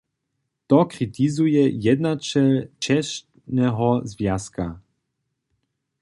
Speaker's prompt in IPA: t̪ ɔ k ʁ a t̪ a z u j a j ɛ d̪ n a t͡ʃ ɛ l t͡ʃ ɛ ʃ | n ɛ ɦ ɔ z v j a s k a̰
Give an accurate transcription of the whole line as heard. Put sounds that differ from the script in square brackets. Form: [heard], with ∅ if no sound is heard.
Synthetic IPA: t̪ ɔ k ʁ [i] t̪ [i] z u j [ɛ] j ɛ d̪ n a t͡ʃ ɛ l t͡ʃ ɛ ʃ | n ɛ ɦ ɔ z v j a s k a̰